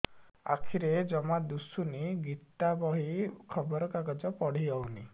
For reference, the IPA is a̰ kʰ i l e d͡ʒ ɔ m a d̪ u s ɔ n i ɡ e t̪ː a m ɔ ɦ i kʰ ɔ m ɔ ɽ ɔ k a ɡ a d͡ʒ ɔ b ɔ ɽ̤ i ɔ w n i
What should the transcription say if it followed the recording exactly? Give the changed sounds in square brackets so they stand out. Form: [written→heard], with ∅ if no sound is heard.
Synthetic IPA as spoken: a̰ kʰ i [l→ɾ] e d͡ʒ ɔ m a d̪ u s [ɔ→u] n i ɡ [e→i] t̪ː a [m→b] ɔ ɦ i kʰ ɔ [m→b] ɔ [ɽ→ɾ] ɔ k a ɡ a d͡ʒ ɔ [b→p] ɔ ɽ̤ i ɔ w n i